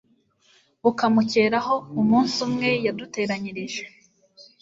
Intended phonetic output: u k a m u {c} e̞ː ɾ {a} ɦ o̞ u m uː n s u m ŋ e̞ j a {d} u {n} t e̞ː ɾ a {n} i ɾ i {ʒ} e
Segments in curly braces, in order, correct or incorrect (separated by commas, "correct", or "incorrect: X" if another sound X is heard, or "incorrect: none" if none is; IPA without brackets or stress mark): correct, correct, correct, incorrect: none, incorrect: ɲ, correct